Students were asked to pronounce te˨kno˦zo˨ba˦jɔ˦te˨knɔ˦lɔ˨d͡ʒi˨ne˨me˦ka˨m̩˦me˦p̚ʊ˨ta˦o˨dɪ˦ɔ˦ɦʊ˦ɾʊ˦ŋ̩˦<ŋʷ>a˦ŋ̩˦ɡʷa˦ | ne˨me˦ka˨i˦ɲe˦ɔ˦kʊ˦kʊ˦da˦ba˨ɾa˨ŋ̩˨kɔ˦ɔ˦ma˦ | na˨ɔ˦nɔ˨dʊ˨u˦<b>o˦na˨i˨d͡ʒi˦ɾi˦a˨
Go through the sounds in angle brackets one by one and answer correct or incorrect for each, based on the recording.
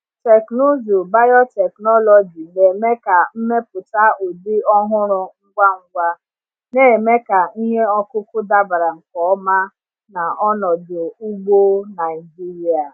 incorrect: ɡʷ, incorrect: ɡ͡b

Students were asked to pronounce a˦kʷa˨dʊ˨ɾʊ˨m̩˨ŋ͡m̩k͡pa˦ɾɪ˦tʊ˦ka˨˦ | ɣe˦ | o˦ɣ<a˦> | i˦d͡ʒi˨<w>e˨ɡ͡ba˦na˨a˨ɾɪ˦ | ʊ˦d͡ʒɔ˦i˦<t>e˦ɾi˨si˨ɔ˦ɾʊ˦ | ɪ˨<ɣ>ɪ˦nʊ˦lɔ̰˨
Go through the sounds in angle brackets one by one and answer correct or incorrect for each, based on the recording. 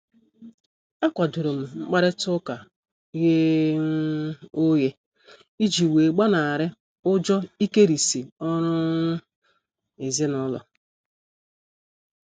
incorrect: e˦, correct, incorrect: k, incorrect: z

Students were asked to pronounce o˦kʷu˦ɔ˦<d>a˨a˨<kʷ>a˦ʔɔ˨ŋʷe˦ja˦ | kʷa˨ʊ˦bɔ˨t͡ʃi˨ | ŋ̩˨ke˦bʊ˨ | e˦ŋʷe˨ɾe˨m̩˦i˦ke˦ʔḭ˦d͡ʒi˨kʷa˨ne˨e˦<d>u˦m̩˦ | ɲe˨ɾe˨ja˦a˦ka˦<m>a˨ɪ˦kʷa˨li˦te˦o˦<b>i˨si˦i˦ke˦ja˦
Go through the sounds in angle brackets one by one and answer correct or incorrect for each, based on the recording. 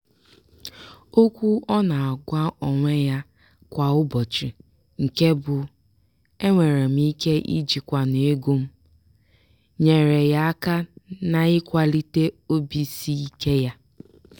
incorrect: n, incorrect: ɡʷ, incorrect: ɡ, incorrect: n, correct

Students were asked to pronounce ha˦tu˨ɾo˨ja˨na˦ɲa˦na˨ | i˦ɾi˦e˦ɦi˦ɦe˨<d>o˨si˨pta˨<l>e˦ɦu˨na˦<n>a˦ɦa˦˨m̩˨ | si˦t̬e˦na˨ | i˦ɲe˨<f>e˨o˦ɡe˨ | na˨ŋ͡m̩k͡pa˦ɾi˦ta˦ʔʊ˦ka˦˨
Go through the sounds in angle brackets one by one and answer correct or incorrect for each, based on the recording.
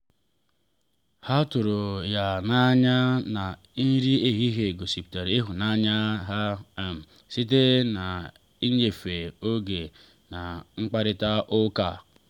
incorrect: ɡ, incorrect: ɾ, incorrect: ɲ, correct

